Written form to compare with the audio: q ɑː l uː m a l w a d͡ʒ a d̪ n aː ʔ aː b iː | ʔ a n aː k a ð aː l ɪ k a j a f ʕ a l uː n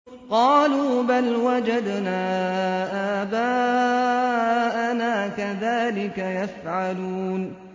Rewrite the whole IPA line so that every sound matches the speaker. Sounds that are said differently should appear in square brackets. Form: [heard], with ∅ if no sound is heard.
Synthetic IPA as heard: q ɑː l uː [b] a l w a d͡ʒ a d̪ n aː ʔ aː b [aː] | ʔ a n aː k a ð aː l ɪ k a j a f ʕ a l uː n